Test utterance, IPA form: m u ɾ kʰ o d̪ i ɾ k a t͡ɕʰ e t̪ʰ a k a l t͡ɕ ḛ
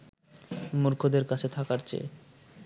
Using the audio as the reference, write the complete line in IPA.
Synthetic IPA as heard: m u ɾ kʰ o d̪ e ɾ k a t͡ɕʰ e t̪ʰ a k a ɾ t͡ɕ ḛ

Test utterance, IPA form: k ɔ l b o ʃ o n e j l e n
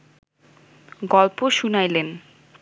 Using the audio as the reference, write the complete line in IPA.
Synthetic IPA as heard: ɡ ɔ l p o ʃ u n a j l e n

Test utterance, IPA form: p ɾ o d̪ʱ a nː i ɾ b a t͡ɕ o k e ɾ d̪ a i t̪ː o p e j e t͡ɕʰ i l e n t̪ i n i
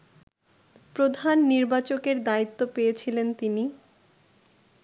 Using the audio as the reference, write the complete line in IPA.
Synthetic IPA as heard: p ɾ o d̪ʱ a nː i ɾ b a t͡ɕ o k e ɾ d̪ a i t̪ː o p e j e t͡ɕʰ i l e n t̪ i n i

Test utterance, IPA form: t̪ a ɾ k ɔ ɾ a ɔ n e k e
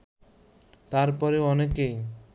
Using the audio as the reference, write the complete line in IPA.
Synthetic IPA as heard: t̪ a ɾ p ɔ ɾ e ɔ n e k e

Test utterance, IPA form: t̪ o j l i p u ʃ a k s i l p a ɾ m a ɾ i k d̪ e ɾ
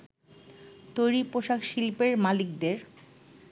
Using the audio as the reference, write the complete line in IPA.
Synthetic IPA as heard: t̪ o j ɾ i p o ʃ a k ʃ i l p e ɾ m a l i k d̪ e ɾ

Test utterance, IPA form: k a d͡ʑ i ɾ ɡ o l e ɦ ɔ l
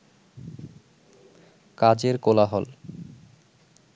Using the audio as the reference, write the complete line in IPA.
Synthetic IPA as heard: k a d͡ʑ e ɾ k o l a ɦ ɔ l

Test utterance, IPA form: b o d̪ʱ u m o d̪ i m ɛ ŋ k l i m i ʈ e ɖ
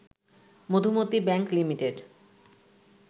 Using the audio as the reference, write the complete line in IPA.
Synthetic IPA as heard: m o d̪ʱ u m o t̪ i b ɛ ŋ k l i m i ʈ e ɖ

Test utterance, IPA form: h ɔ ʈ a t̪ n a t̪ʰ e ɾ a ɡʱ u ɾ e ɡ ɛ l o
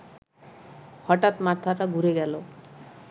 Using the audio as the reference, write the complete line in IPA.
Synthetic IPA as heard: h ɔ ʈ a t̪ m a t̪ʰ a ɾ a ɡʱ u ɾ e ɡ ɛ l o

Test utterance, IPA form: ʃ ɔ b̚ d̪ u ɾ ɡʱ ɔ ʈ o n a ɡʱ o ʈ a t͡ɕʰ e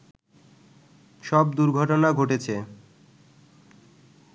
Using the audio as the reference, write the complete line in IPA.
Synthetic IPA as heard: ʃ ɔ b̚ d̪ u ɾ ɡʱ ɔ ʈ o n a ɡʱ o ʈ e t͡ɕʰ e

